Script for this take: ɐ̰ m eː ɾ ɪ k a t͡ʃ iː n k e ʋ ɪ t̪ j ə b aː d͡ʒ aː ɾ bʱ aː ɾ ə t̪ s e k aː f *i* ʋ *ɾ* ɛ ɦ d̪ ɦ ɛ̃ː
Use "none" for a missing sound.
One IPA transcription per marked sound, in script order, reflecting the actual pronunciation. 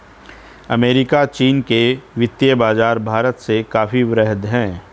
i, ɾ

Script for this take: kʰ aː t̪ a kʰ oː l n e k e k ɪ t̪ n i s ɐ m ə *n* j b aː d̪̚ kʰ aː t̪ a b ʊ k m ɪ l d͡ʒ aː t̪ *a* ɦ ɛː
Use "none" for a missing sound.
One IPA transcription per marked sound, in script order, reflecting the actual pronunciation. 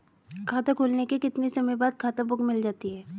none, i

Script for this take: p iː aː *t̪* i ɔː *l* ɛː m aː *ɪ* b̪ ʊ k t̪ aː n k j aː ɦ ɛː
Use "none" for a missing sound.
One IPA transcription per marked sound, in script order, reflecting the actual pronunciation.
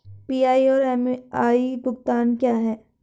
none, ɾ, i

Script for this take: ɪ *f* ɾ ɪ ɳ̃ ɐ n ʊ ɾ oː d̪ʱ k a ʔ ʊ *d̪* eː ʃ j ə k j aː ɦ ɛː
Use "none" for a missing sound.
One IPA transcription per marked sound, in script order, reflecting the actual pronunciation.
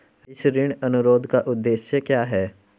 s, d̪ː

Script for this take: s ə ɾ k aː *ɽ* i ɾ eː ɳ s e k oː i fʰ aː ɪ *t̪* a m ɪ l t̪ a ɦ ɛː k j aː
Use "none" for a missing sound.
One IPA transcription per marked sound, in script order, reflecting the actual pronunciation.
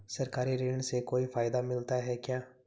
ɾ, d̪

